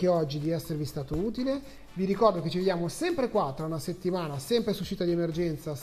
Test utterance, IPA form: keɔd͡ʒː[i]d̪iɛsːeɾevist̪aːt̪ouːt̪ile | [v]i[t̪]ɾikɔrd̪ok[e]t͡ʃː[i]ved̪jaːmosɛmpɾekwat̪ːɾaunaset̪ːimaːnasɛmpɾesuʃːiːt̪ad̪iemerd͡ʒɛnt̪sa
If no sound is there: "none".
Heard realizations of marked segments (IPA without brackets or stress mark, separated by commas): i, v, none, e, i